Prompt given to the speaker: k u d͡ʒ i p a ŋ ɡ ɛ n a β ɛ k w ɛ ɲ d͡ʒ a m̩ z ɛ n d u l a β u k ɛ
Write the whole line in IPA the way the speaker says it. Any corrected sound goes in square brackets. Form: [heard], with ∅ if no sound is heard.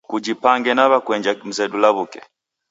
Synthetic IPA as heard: k u d͡ʒ i p a ŋ ɡ ɛ n a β [a] k w ɛ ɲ d͡ʒ a m̩ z ɛ [∅] d u l a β u k ɛ